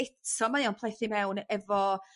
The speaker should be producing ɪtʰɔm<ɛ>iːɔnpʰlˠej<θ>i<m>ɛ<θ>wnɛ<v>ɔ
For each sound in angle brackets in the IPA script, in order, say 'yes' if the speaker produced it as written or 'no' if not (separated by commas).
no, yes, yes, no, yes